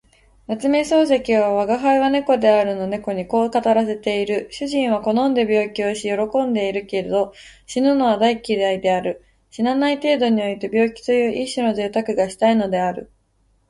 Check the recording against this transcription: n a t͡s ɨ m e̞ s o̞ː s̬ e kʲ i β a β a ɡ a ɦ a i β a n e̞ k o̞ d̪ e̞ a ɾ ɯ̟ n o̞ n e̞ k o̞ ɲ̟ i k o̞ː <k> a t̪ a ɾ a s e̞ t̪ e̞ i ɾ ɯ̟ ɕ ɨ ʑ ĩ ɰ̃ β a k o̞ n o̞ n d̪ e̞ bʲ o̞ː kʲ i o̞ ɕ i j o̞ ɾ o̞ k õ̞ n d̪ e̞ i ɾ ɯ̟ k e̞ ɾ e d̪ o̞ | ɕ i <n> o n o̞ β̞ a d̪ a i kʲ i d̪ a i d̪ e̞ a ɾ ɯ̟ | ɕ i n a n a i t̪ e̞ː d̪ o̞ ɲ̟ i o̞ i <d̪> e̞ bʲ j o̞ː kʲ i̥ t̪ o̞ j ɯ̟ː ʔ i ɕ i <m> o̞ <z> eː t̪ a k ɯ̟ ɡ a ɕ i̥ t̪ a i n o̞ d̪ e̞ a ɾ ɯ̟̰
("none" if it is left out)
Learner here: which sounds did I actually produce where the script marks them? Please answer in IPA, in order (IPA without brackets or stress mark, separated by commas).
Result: k, n, t̪, n, z